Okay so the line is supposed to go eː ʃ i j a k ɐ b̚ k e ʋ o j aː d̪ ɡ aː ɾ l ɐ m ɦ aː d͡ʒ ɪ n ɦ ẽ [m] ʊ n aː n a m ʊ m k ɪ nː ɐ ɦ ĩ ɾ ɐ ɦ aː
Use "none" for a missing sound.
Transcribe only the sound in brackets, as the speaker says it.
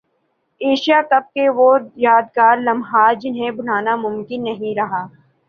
b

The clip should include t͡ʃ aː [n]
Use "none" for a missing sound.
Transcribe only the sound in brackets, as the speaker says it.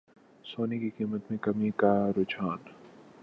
n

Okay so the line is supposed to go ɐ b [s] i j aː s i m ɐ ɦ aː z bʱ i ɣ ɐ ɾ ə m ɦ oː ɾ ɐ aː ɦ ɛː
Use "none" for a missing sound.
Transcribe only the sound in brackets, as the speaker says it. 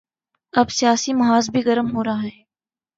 s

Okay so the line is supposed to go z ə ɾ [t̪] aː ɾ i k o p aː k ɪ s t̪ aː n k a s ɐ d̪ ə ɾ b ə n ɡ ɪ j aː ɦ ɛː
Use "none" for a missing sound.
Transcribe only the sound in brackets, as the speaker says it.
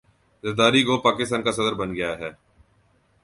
d̪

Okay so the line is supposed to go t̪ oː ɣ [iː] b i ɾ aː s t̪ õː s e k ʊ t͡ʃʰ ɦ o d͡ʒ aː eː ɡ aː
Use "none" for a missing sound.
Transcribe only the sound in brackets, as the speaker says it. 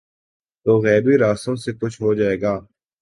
ɛː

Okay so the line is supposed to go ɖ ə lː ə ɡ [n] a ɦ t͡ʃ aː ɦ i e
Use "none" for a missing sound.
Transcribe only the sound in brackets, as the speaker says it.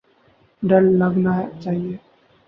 n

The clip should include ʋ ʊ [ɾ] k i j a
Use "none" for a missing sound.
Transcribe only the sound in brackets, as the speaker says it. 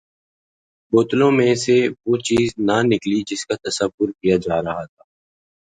ɾ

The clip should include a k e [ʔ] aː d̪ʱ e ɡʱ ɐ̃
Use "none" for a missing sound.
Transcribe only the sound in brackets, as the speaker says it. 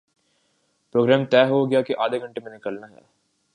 ʔ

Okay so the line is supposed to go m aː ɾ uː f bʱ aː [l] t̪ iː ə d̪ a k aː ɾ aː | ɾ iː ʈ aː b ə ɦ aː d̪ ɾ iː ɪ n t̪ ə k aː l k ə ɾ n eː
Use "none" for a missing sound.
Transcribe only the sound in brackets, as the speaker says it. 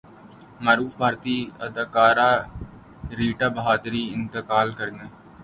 ɾ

